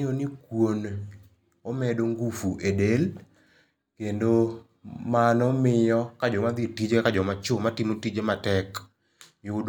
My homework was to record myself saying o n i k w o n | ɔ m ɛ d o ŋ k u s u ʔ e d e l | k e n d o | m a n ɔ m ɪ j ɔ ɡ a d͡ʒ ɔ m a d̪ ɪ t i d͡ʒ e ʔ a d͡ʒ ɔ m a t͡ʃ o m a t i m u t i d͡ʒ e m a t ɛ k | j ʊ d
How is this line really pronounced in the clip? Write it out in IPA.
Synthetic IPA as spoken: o n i k w o n | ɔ m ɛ d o ŋ ɡ u f u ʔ e d e l | k e n d o | m a n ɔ m ɪ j ɔ k a d͡ʒ ɔ m a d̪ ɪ t i d͡ʒ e k a d͡ʒ ɔ m a t͡ʃ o m a t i m o t i d͡ʒ e m a t ɛ k | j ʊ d